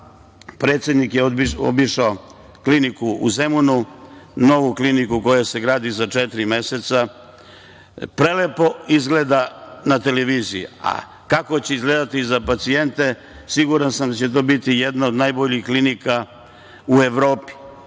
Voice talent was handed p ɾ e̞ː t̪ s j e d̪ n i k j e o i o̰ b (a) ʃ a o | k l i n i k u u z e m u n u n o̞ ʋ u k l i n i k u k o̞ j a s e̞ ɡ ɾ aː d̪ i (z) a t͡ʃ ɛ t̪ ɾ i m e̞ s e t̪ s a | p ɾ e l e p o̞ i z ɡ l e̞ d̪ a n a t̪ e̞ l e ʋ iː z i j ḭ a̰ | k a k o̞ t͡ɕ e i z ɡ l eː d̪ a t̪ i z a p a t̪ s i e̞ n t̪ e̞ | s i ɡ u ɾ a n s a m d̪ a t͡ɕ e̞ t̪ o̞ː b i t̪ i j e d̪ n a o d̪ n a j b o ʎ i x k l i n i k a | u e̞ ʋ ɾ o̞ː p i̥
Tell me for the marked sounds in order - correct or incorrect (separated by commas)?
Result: incorrect, correct